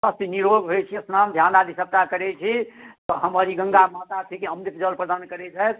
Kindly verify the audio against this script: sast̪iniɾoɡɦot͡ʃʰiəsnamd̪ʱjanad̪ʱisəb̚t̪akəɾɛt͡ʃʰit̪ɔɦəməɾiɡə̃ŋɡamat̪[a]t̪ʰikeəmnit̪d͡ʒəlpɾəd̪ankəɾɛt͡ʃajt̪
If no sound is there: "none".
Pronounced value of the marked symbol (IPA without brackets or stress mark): a